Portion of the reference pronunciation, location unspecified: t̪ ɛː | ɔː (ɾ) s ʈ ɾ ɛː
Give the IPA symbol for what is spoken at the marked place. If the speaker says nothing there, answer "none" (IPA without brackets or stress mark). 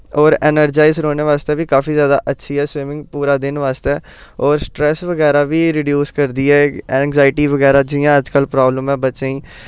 ɾ